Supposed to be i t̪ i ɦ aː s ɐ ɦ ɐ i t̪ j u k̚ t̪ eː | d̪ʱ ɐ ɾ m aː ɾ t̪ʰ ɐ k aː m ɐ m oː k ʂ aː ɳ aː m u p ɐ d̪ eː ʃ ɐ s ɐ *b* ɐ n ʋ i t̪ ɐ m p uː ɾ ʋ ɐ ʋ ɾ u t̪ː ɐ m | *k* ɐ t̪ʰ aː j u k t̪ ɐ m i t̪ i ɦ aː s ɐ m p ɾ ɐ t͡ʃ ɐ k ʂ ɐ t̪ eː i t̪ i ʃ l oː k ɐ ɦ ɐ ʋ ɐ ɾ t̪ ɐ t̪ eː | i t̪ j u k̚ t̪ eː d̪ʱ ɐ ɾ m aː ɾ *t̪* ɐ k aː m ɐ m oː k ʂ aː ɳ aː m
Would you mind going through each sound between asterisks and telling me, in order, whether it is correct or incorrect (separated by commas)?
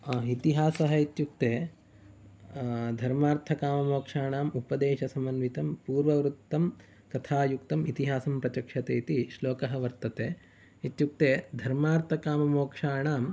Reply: incorrect, correct, incorrect